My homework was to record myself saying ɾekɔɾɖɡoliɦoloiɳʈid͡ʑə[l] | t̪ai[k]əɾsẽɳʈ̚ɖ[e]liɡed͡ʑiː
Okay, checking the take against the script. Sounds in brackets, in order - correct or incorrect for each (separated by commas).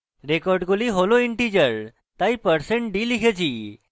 incorrect, incorrect, incorrect